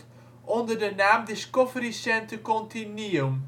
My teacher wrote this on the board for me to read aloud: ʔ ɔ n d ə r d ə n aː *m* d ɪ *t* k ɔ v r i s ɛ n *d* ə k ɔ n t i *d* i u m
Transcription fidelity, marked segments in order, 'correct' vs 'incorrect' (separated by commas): correct, incorrect, incorrect, incorrect